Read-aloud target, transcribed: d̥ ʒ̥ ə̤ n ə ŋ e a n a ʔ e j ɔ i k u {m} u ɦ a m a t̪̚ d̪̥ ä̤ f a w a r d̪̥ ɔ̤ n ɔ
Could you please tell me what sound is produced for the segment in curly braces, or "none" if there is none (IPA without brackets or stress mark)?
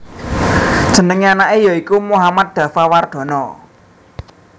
m